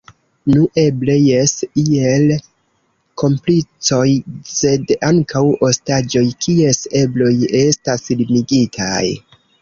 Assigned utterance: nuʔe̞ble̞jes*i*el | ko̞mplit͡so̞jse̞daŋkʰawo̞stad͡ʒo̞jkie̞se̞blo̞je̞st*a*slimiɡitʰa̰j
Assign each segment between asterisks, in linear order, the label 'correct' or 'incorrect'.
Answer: correct, correct

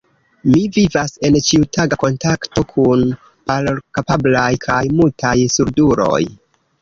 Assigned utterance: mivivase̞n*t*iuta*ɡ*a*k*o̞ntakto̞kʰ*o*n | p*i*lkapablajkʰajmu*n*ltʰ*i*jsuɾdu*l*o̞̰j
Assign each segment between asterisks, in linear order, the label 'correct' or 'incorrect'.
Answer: incorrect: t͡ʃ, correct, correct, incorrect: u, incorrect: a, incorrect: none, incorrect: a, incorrect: ɾ

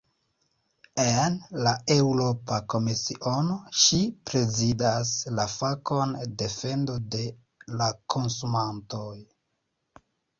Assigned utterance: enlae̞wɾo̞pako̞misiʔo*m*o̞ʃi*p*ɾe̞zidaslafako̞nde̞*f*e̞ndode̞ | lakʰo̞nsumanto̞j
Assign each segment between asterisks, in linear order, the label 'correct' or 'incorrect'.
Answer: incorrect: n, correct, correct

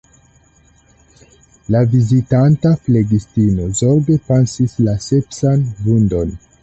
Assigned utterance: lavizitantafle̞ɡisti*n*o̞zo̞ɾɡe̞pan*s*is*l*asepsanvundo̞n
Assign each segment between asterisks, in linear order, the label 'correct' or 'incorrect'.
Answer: correct, correct, correct

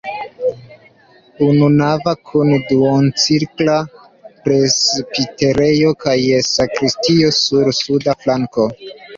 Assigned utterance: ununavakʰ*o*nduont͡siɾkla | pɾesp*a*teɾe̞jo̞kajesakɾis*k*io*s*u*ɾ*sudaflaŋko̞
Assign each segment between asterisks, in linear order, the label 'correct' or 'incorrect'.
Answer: incorrect: u, incorrect: i, incorrect: t, correct, correct

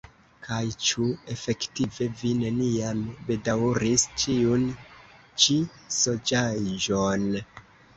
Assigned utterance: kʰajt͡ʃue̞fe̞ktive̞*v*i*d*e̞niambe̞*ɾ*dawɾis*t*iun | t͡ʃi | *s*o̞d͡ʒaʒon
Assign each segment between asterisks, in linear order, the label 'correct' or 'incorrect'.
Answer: correct, incorrect: n, incorrect: none, incorrect: t͡ʃ, correct

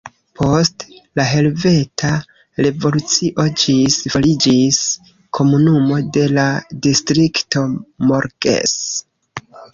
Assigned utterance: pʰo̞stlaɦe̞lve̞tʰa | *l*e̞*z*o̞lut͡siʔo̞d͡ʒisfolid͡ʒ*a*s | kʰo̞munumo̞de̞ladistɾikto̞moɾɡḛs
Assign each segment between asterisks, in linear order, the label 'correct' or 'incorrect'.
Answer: incorrect: ɾ, incorrect: v, incorrect: i

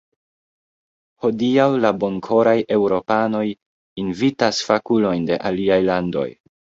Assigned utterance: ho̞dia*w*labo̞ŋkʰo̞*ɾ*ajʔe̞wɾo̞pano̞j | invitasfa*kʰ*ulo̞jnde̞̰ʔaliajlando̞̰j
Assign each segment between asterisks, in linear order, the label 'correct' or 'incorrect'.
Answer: correct, correct, incorrect: k

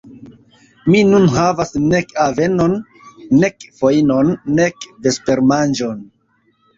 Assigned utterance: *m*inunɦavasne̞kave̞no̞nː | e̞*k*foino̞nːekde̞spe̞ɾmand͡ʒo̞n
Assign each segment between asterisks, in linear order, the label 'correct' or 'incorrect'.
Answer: correct, correct

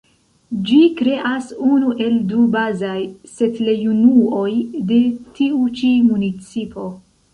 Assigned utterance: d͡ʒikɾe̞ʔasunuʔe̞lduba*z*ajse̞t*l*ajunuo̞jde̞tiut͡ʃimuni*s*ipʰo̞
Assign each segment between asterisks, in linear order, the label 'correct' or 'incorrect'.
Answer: correct, correct, incorrect: t͡s

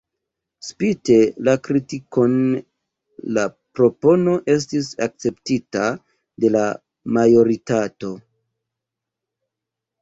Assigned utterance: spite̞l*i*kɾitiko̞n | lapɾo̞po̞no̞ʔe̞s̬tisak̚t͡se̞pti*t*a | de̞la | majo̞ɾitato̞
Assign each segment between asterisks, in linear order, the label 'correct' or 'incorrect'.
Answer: incorrect: a, correct

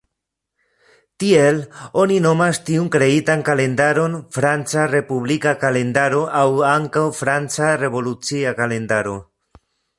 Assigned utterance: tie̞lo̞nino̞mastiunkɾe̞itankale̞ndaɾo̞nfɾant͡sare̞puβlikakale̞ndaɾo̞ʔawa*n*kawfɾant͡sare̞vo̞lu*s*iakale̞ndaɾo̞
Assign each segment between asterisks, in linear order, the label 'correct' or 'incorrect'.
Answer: incorrect: ŋ, incorrect: t͡s

